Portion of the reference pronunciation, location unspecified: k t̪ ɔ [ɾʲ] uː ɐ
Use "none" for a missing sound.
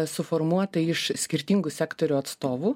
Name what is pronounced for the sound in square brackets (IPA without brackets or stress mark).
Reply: ɾʲ